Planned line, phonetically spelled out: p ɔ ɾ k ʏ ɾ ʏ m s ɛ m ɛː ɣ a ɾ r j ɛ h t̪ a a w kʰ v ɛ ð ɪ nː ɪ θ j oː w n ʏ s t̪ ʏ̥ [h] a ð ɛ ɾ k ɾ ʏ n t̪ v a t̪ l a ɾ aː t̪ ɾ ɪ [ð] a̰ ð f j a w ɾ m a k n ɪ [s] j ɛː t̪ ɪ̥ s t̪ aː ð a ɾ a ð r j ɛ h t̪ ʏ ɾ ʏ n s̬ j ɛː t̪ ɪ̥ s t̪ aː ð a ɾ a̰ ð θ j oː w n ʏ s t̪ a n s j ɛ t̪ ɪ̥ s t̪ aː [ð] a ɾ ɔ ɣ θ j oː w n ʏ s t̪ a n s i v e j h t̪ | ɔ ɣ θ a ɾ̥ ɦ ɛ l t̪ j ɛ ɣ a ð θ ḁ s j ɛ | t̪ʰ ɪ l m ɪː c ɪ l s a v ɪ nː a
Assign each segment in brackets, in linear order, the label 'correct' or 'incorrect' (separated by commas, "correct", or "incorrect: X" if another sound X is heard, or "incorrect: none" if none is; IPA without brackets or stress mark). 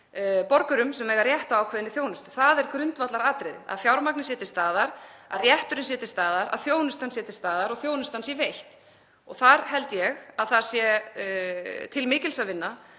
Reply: incorrect: θ, correct, correct, correct